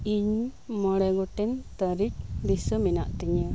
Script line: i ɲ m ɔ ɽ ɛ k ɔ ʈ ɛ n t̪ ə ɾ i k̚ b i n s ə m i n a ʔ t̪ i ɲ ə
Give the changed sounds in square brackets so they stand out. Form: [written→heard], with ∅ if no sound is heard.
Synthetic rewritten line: i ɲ m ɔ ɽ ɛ [k→ɡ] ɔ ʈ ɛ n t̪ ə ɾ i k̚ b i [n→∅] s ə m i n a ʔ t̪ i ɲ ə